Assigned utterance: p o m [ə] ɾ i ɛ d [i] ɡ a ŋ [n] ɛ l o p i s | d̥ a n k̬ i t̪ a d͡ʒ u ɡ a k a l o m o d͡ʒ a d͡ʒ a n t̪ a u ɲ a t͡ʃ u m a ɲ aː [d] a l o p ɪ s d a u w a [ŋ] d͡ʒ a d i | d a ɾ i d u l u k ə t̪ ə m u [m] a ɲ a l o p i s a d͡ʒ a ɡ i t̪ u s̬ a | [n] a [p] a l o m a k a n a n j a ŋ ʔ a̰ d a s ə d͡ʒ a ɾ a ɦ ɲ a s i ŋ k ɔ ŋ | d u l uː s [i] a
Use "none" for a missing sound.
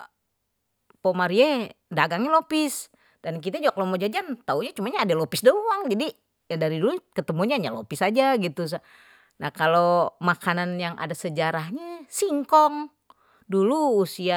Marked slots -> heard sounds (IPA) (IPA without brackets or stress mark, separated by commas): a, a, ɲ, d, ŋ, ɲ, n, k, i